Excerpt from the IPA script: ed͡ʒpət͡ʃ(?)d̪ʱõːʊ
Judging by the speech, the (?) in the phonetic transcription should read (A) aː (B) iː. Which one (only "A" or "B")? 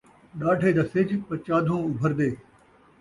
A